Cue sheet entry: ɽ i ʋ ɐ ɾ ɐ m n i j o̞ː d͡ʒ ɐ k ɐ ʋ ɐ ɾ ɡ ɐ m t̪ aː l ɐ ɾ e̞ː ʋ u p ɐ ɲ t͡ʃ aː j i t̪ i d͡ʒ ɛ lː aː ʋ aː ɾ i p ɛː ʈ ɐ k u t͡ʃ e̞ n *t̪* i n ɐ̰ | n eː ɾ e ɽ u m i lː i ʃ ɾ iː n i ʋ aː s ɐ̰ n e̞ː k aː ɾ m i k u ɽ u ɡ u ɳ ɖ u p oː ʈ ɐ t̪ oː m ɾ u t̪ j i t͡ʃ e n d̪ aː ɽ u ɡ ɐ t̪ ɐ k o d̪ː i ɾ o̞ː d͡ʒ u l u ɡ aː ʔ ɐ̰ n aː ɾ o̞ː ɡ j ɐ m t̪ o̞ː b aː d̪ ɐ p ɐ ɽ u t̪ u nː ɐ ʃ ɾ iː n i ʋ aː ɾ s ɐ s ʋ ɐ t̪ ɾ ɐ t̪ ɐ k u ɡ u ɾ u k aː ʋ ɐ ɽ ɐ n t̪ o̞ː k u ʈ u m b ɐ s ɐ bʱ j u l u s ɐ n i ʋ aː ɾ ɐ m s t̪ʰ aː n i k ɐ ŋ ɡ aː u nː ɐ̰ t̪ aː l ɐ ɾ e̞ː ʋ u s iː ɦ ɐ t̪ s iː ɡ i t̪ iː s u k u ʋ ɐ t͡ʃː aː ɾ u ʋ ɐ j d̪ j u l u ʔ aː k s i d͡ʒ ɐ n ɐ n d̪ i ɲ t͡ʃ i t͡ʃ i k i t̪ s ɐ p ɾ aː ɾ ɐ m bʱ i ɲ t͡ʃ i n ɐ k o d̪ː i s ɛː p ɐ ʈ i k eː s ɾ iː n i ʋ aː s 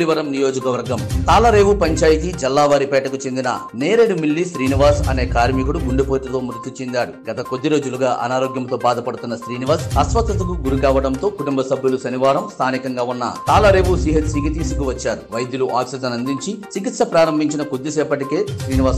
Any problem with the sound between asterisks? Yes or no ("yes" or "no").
yes